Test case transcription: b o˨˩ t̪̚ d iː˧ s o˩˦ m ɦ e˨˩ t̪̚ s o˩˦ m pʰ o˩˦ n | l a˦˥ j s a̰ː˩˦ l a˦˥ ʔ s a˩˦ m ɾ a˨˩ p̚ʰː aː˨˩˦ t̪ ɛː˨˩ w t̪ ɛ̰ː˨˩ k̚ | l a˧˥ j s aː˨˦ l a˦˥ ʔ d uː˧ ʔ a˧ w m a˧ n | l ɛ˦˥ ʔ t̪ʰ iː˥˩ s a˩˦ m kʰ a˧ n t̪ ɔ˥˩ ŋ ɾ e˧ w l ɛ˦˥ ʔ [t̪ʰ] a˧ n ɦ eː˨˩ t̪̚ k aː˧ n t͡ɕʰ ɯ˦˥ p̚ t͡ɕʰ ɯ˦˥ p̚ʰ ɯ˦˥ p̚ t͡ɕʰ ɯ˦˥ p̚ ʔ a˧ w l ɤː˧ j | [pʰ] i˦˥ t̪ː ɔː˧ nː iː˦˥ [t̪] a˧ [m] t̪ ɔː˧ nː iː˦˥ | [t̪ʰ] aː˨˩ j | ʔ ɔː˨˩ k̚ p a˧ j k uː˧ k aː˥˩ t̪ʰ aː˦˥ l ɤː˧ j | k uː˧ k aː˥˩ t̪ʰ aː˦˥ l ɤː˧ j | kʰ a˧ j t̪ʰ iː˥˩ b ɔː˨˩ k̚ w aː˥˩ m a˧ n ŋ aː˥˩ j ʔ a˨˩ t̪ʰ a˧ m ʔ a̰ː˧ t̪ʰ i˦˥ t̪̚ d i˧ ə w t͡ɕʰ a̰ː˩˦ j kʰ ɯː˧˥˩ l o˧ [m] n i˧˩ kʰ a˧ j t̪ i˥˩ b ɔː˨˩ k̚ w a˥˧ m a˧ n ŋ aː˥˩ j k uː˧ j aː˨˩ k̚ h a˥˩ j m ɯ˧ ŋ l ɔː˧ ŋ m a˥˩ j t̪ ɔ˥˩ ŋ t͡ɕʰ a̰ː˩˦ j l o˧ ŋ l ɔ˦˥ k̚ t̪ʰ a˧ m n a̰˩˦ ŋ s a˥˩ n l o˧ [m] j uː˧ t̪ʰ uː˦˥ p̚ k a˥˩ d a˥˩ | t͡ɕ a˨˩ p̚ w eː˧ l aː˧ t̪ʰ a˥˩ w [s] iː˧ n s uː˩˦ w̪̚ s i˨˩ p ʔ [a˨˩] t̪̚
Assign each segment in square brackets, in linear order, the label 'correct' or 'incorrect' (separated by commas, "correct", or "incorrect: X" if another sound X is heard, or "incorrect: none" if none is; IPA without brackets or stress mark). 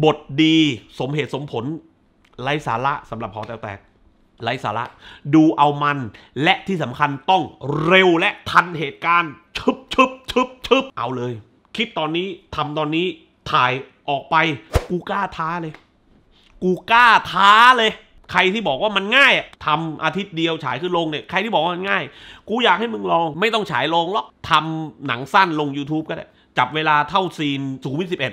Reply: correct, incorrect: kʰ, incorrect: t̪ʰ, correct, correct, incorrect: ŋ, incorrect: ŋ, correct, incorrect: e˨˩